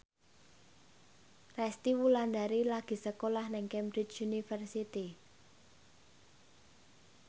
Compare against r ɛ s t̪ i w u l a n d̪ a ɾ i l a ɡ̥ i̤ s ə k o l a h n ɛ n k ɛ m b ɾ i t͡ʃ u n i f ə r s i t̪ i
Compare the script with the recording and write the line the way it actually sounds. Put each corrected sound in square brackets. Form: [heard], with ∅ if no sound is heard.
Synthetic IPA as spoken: r ɛ s t̪ i w u l a n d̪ a ɾ i l a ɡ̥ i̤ s ə k o l a h n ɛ [ŋ] k ɛ m b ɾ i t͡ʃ u n i f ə r s i t̪ i